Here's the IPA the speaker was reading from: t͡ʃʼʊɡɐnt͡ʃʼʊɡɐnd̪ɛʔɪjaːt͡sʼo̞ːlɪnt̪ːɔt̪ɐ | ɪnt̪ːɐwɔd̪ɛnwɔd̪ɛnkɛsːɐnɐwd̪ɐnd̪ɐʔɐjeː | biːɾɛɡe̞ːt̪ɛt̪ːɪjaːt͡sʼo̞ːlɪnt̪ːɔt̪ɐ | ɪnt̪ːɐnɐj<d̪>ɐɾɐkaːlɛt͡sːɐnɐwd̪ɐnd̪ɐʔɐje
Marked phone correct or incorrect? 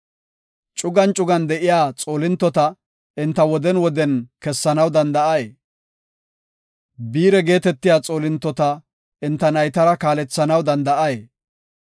incorrect